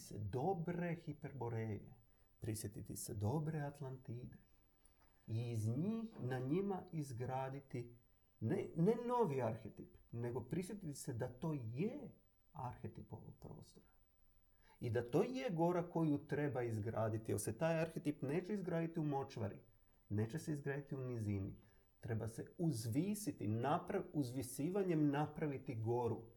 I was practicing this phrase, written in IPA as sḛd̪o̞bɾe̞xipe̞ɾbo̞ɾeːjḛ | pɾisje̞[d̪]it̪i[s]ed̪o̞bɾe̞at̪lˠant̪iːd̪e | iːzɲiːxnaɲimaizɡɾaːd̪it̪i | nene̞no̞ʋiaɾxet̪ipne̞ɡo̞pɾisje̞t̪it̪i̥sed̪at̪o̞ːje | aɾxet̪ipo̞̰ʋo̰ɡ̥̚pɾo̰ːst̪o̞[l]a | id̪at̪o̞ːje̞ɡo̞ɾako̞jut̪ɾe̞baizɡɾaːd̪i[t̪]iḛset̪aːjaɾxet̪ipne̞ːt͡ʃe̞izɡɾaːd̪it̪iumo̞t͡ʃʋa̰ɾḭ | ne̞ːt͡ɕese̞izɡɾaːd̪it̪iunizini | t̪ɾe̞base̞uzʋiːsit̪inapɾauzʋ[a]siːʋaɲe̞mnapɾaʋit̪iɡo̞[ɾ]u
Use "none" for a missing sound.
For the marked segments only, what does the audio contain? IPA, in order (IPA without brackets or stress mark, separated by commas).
t̪, s, ɾ, t̪, i, ɾ